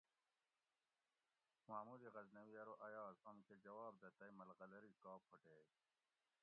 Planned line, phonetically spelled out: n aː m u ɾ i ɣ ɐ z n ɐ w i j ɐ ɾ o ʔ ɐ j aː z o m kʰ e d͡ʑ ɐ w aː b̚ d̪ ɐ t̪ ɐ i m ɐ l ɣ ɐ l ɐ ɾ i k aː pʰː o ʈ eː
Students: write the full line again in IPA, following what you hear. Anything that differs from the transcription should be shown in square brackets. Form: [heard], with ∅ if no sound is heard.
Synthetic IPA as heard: [m] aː m u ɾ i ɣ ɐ z n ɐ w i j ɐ ɾ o ʔ ɐ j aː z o m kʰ e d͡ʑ ɐ w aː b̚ d̪ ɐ t̪ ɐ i m ɐ l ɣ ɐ l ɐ ɾ i k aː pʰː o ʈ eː